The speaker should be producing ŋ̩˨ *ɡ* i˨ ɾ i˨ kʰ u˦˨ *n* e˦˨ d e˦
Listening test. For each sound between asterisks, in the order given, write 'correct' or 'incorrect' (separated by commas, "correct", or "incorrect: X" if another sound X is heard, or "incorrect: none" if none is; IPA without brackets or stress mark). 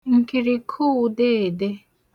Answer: incorrect: k, incorrect: d